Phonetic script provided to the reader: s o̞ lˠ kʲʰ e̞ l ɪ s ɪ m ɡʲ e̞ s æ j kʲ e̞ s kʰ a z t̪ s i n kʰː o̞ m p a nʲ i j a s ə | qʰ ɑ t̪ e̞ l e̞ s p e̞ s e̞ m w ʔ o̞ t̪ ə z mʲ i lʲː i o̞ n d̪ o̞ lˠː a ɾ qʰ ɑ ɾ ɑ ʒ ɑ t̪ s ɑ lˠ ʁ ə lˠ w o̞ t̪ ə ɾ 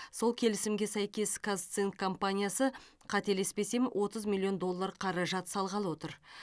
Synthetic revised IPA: s o̞ lˠ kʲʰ e̞ l ɪ s ɪ m ɡʲ e̞ s æ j kʲ e̞ s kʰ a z t̪ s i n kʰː o̞ m p a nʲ i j a s ə | qʰ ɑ t̪ e̞ l e̞ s p e̞ s e̞ m w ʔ o̞ t̪ ə z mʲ i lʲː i o̞ n d̪ o̞ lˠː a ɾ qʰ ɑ ɾ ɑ ʒ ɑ t̪ s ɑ lˠ ʁ ɑ lˠ w o̞ t̪ ə ɾ